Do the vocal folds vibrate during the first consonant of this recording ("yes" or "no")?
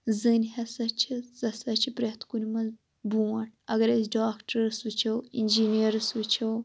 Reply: yes